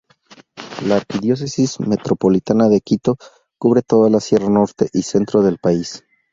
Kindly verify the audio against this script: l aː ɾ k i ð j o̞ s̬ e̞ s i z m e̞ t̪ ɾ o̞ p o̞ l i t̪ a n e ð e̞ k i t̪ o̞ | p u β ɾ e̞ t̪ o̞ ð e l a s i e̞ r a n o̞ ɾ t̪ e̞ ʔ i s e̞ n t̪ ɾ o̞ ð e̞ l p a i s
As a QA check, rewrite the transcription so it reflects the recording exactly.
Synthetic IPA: l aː ɾ k i ð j o̞ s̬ e̞ s i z m e̞ t̪ ɾ o̞ p o̞ l i t̪ a n a ð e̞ k i t̪ o̞ | k u β ɾ e̞ t̪ o̞ ð a l a s j e̞ r a n o̞ ɾ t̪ e̞ ʔ i s e̞ n t̪ ɾ o̞ ð e̞ l p a i s